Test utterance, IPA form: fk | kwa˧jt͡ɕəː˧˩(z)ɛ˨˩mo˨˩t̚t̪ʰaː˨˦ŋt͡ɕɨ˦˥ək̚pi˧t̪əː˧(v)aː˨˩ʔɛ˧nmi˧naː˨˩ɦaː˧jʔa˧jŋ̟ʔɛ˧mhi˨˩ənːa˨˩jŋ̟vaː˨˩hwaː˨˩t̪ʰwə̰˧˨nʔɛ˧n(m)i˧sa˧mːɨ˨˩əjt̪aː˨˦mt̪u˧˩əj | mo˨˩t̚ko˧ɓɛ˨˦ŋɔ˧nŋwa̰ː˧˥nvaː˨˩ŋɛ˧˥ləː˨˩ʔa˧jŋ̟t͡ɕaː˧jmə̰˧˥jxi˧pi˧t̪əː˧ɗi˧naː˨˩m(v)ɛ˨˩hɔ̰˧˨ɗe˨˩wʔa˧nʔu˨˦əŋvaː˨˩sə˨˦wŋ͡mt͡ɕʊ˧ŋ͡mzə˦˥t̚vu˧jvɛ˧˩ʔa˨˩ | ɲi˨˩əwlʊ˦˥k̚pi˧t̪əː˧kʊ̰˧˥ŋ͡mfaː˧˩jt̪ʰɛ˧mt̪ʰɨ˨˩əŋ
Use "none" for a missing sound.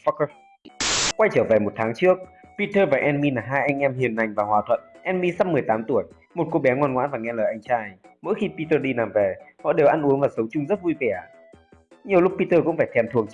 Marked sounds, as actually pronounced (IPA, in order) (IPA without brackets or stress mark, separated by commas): v, v, m, v